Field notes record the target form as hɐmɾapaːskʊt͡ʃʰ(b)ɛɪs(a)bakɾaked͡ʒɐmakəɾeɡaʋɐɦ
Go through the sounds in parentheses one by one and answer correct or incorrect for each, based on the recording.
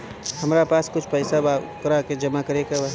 incorrect: p, correct

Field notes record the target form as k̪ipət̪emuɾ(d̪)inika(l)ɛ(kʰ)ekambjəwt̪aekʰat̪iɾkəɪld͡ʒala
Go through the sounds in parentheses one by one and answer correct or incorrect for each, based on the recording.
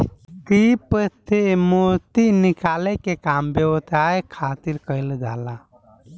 incorrect: t̪, correct, incorrect: k

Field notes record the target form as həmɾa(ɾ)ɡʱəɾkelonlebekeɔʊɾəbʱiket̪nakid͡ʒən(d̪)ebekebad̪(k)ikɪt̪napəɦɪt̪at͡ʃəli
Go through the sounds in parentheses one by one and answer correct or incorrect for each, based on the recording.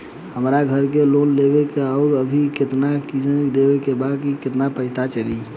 incorrect: none, correct, correct

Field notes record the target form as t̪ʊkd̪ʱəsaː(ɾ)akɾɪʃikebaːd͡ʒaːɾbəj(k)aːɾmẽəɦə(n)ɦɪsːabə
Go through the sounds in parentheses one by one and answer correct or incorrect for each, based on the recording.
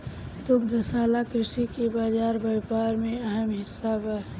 incorrect: l, incorrect: p, incorrect: m

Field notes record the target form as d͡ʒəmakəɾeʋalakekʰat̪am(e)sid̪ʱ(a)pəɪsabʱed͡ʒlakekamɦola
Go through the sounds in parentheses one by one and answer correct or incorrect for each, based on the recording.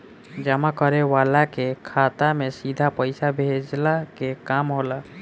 correct, correct

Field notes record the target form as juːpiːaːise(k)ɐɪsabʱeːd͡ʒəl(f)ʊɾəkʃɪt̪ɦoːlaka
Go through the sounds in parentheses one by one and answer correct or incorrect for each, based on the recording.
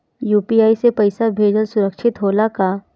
incorrect: p, incorrect: s

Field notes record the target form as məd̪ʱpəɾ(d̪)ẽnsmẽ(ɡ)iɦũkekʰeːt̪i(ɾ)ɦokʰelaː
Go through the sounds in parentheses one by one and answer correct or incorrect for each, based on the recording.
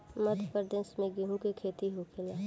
correct, correct, incorrect: none

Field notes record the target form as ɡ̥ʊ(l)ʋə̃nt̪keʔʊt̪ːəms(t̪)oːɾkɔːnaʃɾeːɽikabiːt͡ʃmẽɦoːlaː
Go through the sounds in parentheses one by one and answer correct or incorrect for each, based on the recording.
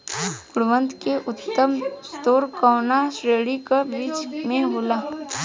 incorrect: ɽ, correct

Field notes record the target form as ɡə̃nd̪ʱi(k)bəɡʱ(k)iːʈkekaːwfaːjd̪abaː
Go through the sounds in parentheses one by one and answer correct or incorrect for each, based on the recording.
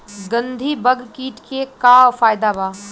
incorrect: none, correct

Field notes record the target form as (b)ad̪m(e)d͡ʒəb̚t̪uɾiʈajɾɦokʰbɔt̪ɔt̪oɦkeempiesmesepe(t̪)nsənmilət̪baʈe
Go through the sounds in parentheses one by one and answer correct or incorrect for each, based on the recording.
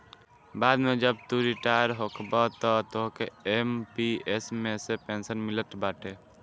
correct, correct, incorrect: none

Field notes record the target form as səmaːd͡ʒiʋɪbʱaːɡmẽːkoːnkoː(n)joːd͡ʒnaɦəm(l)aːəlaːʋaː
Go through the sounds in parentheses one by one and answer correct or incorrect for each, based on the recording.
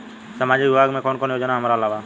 correct, incorrect: ɾ

